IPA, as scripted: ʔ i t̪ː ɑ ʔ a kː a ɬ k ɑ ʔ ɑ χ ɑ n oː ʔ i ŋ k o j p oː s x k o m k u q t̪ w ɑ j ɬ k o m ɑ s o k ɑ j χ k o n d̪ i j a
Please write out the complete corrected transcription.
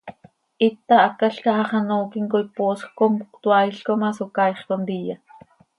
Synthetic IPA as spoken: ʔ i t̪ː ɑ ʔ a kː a ɬ k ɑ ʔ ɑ χ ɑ n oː k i ŋ k o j p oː s x k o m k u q t̪ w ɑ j ɬ k o m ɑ s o k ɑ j χ k o n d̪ i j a